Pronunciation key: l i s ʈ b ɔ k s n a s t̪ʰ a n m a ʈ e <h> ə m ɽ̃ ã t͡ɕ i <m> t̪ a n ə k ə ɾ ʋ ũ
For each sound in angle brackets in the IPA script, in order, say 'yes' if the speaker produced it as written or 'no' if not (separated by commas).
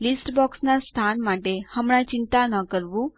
yes, no